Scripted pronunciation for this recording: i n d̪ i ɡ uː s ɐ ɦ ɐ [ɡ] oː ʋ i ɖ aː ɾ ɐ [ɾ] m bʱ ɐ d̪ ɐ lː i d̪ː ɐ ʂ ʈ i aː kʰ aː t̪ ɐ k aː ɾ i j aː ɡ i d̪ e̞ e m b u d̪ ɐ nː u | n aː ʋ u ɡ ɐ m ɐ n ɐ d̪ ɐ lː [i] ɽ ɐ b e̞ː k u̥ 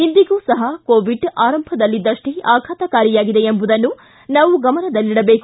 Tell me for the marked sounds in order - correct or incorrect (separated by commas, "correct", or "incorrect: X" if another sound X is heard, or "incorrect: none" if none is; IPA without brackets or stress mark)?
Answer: incorrect: k, incorrect: none, correct